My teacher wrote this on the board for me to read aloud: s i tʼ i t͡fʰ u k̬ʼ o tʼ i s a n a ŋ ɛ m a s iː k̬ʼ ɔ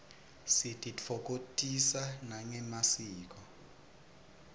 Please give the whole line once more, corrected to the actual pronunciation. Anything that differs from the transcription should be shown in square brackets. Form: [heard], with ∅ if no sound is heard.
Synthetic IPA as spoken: s i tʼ i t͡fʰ [ɔ] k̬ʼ o tʼ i s a n a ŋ ɛ m a s iː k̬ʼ ɔ